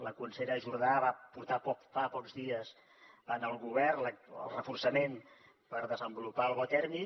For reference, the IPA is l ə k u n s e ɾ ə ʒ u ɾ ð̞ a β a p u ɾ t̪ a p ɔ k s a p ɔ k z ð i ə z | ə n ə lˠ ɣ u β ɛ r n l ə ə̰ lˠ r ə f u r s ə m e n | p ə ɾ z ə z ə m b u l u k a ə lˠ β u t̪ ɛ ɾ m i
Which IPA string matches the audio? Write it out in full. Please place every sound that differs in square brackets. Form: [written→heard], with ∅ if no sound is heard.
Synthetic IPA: l ə k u n s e ɾ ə ʒ u ɾ ð̞ a β a p u ɾ t̪ a p ɔ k [s→f] a p ɔ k z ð i ə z | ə n ə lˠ ɣ u β ɛ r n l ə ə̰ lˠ r ə f u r s ə m e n | p ə ɾ [z→ð] ə z ə m b u l u [k→p] a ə lˠ β [u→ɔ] t̪ ɛ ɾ m i